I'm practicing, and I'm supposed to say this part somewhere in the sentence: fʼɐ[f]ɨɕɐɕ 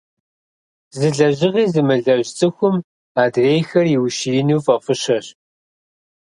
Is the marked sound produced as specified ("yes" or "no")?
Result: yes